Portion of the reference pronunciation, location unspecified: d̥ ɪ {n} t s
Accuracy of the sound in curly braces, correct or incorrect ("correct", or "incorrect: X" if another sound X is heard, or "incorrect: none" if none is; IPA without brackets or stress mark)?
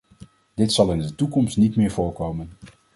incorrect: none